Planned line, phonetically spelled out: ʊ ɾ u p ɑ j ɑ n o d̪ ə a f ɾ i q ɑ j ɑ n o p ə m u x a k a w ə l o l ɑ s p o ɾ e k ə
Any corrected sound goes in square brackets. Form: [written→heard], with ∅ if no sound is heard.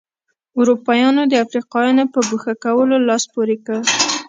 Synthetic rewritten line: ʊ ɾ u p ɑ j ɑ n o d̪ ə a f ɾ i q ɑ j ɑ n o p ə [m→b] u x a k a w ə l o l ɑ s p o ɾ e k ə

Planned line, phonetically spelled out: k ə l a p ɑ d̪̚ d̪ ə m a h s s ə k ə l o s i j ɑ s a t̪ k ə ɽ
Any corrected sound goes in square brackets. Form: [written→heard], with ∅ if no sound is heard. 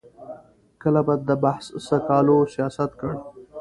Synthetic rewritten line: k ə l a [p→b] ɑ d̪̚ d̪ ə [m→b] a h s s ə k [ə→ɑ] l o s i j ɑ s a t̪ k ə ɽ

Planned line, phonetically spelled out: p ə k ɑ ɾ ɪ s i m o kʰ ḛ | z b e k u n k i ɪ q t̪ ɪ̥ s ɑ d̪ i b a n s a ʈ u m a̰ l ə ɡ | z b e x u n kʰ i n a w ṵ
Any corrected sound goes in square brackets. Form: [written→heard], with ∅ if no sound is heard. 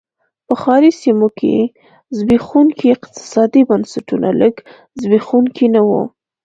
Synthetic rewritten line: p ə [k→x] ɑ ɾ [ɪ→i] s i m o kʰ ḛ | z b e [k→x] u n k i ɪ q t̪ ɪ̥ s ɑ d̪ i b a n s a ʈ u [m→n] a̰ l ə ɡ | z b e x u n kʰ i n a w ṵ

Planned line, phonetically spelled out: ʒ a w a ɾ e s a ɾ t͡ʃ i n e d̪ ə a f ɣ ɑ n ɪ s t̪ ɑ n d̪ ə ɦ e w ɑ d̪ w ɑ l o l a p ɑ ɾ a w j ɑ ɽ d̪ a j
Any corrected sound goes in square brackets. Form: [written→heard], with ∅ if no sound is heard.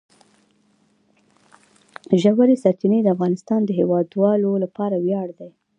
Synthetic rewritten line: ʒ a w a ɾ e s a ɾ t͡ʃ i n e d̪ ə a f ɣ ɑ n ɪ s t̪ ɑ n d̪ ə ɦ e w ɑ d̪ w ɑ l o l a p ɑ ɾ a w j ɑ ɽ d̪ a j

